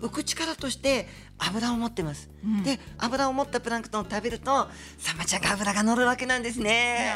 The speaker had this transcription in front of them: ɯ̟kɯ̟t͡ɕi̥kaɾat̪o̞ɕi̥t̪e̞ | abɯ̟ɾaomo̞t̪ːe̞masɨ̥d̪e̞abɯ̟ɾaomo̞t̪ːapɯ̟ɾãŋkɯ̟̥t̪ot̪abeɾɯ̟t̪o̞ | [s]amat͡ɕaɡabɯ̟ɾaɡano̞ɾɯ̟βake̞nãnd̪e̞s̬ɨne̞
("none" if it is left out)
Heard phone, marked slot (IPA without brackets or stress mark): s